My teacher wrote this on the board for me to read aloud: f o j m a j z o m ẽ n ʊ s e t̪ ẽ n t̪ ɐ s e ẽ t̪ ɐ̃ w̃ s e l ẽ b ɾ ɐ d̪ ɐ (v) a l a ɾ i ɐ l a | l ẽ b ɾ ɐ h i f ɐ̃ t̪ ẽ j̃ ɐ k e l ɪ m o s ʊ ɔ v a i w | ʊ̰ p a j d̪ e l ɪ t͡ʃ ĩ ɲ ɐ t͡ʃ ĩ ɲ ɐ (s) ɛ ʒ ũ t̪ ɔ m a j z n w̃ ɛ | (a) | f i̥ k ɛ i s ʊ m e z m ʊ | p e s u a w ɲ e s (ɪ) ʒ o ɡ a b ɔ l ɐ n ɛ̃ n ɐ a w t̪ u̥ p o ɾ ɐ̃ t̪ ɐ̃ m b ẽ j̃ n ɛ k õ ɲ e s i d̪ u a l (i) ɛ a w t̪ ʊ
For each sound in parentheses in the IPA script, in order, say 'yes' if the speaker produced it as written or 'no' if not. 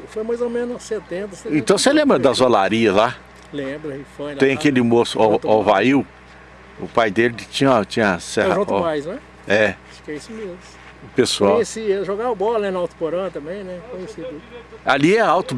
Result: no, yes, no, no, yes

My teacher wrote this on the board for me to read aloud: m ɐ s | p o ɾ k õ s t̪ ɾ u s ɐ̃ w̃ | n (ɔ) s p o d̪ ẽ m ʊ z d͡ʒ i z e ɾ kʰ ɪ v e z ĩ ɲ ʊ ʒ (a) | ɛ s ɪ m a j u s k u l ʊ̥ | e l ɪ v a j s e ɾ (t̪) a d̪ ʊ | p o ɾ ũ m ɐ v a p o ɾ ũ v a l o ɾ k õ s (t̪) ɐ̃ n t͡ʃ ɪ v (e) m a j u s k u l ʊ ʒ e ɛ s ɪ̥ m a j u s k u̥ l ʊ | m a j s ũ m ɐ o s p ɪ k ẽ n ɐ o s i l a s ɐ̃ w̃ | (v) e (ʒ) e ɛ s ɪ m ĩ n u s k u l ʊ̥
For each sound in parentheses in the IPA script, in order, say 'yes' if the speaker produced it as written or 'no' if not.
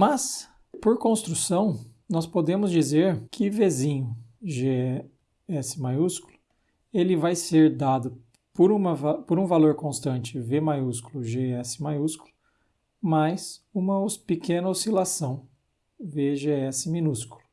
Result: yes, no, no, yes, yes, yes, yes

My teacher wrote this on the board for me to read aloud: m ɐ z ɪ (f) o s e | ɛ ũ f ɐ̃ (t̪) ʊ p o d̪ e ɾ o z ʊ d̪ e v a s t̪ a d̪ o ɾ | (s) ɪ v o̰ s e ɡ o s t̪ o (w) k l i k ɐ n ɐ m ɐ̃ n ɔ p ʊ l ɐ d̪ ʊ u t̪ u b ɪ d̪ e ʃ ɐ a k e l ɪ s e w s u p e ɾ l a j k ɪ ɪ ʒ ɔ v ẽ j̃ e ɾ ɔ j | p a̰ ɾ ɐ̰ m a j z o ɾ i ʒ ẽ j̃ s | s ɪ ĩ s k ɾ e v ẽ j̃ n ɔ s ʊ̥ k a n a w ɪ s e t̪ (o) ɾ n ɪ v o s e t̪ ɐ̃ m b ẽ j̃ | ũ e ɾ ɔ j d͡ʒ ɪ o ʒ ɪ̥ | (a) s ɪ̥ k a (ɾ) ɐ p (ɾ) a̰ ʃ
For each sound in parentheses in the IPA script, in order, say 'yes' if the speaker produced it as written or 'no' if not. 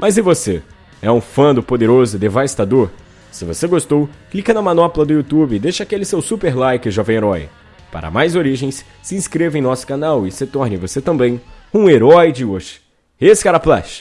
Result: no, no, yes, yes, no, no, yes, no

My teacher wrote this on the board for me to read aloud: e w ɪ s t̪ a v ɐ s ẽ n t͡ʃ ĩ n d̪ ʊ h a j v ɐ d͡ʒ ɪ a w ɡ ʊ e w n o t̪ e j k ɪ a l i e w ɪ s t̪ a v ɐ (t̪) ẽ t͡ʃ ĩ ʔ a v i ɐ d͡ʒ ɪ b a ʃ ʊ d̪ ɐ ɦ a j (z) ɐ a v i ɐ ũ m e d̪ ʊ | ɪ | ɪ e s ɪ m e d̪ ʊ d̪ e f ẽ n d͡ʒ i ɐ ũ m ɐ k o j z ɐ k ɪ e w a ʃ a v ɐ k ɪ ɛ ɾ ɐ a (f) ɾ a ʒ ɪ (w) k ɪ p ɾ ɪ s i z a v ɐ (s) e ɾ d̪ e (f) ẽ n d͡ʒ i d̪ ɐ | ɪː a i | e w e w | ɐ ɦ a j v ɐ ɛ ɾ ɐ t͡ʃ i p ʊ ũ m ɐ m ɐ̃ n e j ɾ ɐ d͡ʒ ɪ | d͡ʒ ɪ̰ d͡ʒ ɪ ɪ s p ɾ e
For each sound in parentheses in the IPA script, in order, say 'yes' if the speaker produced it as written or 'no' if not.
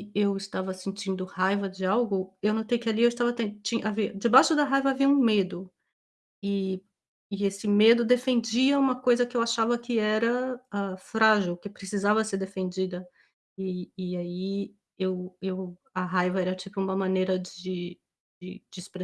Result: yes, no, yes, yes, yes, yes

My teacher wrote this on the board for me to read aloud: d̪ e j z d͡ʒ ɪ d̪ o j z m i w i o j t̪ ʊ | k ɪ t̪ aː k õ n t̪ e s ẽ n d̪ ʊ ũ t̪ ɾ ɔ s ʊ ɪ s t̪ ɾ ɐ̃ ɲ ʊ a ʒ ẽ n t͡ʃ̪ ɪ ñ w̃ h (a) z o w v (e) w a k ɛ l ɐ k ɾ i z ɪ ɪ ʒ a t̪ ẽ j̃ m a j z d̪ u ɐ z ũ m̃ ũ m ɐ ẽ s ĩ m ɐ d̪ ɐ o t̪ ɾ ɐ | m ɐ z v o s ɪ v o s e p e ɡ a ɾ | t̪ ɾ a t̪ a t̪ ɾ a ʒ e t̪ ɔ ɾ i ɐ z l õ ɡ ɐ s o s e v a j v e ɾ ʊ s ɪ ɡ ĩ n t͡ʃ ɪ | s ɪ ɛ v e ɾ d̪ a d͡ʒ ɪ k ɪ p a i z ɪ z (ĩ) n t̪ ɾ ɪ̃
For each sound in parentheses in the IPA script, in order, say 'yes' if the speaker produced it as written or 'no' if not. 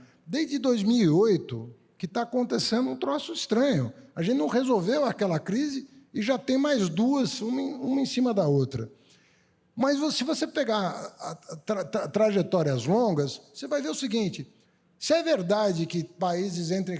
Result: no, yes, no

